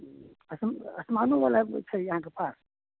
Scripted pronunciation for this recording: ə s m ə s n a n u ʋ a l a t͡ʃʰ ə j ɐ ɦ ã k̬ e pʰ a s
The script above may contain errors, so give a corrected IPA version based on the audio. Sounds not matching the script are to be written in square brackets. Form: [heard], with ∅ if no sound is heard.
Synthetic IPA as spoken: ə s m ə s [m] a n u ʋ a l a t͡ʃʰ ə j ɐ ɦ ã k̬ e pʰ a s